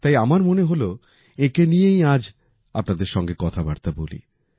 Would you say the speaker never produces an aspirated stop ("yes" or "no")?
no